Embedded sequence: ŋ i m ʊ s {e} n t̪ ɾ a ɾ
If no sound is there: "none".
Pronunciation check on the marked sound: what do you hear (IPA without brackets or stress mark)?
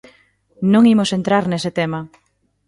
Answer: e